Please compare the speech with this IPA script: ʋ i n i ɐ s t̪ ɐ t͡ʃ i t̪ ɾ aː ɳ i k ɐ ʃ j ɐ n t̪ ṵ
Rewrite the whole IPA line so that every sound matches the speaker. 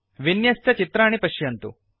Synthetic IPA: ʋ i n j ɐ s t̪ ɐ t͡ʃ i t̪ ɾ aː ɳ i p ɐ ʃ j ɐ n t̪ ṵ